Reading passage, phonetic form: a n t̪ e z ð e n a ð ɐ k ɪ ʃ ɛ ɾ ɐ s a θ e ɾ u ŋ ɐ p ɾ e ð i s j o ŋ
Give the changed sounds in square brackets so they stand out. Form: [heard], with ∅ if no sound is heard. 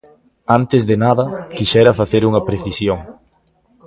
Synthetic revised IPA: a n t̪ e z ð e n a ð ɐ k [i] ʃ ɛ ɾ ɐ [f] a θ e ɾ u ŋ ɐ p ɾ e [θ] i s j o ŋ